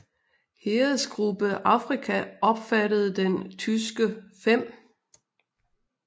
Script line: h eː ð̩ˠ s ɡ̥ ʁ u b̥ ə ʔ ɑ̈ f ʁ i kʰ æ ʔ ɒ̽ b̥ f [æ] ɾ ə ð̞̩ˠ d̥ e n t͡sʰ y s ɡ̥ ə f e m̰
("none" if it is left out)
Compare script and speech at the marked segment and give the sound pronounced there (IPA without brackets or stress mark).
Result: æ